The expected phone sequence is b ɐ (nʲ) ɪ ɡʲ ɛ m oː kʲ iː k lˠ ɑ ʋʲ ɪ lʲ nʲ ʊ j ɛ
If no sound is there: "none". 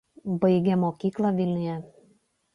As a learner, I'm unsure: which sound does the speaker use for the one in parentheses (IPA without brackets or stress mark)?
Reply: none